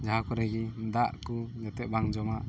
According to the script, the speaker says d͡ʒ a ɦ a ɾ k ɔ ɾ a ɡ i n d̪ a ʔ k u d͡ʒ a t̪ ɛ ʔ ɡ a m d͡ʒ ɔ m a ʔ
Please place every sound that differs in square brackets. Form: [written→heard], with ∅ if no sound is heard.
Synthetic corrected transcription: d͡ʒ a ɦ a [ɾ→∅] k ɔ ɾ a ɡ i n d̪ a ʔ k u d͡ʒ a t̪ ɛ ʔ [ɡ→b] a [m→ŋ] d͡ʒ ɔ m a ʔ